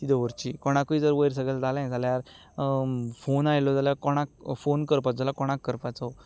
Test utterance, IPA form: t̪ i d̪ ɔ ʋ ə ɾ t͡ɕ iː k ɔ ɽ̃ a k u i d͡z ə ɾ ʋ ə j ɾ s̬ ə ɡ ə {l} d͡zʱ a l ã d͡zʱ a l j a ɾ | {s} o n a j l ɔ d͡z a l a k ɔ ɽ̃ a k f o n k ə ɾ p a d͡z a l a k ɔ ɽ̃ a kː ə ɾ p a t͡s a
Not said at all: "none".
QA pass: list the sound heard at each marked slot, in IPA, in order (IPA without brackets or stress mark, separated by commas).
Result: l, f